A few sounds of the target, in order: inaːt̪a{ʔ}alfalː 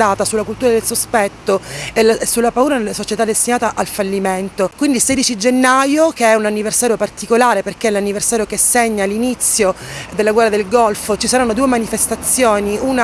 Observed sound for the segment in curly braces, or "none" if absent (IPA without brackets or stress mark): ʔ